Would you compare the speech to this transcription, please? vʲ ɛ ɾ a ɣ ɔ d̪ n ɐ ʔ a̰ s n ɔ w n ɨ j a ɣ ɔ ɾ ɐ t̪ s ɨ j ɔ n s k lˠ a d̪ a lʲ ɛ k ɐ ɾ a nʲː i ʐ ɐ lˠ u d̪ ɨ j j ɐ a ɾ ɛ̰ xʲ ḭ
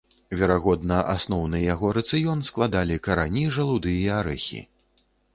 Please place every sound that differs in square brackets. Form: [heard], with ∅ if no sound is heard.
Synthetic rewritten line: vʲ ɛ ɾ a ɣ ɔ d̪ n ɐ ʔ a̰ s n ɔ w n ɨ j a ɣ ɔ ɾ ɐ t̪ s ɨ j ɔ n s k lˠ a d̪ a lʲ [i] k ɐ ɾ a [nʲ] i ʐ ɐ lˠ u d̪ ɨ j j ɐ a ɾ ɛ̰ xʲ ḭ